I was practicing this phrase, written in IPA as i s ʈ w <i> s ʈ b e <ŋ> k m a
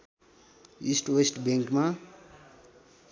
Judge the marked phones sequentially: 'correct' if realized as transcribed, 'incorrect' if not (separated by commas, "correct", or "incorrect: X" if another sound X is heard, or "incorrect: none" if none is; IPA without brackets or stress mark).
incorrect: e, correct